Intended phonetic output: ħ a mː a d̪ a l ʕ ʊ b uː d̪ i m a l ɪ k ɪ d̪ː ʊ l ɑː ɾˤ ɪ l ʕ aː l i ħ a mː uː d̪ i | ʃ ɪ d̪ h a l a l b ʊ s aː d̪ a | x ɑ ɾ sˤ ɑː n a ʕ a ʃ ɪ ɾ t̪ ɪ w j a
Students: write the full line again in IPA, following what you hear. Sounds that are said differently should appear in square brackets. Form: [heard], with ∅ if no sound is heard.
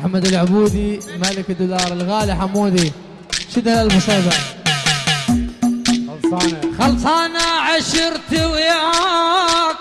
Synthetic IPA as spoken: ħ a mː a d̪ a l ʕ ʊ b uː d̪ i m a l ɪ k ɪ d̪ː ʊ l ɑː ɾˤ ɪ l [ɣ] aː l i ħ a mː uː d̪ i | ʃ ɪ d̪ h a l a l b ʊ s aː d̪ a | x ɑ [l] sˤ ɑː n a ʕ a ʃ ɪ ɾ t̪ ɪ w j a